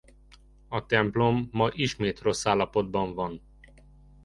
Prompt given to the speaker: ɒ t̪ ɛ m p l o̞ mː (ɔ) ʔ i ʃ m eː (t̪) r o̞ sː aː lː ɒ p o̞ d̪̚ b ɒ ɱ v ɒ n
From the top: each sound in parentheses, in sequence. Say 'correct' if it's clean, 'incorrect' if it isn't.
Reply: incorrect: ɒ, correct

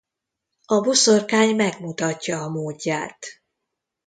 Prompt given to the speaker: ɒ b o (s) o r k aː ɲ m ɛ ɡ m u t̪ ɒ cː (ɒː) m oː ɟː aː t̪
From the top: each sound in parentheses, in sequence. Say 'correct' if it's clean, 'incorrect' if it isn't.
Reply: correct, correct

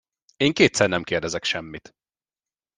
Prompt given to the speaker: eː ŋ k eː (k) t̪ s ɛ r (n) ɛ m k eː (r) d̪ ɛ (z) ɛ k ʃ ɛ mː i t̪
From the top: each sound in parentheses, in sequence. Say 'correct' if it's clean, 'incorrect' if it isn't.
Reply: incorrect: none, correct, correct, correct

